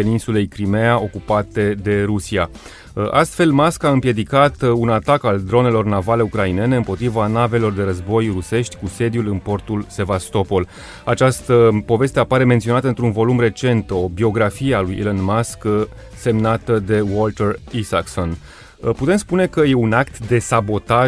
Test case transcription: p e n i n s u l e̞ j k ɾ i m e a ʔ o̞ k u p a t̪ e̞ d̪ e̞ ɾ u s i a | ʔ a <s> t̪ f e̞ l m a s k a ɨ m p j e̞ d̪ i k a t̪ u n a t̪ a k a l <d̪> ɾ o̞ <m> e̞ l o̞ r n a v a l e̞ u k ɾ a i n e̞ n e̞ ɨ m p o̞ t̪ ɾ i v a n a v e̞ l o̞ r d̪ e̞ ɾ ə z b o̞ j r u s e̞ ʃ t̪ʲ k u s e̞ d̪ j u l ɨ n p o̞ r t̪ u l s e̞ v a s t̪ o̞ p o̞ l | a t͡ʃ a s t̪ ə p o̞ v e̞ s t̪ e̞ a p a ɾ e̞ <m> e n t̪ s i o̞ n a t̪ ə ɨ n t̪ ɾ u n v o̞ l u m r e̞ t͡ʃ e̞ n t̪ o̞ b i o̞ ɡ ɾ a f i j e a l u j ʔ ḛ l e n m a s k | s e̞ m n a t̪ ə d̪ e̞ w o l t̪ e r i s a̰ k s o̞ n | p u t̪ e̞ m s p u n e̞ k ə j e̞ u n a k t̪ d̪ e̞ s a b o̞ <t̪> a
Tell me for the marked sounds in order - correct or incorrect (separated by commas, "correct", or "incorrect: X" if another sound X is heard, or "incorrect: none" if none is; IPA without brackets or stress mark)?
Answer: correct, correct, incorrect: n, correct, correct